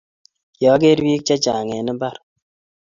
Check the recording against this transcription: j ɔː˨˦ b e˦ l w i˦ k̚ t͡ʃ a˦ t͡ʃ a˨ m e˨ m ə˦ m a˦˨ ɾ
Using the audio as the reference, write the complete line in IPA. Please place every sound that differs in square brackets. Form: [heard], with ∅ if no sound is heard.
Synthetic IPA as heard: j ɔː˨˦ [ɡ] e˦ [ɾ] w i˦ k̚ t͡ʃ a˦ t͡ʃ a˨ [ŋ] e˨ [n] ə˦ [b] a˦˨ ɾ